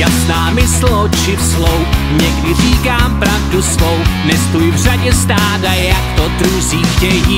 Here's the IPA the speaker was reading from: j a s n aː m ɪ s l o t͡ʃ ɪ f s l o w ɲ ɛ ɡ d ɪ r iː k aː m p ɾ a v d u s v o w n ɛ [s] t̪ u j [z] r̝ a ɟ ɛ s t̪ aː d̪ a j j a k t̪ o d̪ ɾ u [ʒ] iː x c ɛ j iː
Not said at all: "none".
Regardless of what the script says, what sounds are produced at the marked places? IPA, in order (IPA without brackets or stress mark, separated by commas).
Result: s, v, z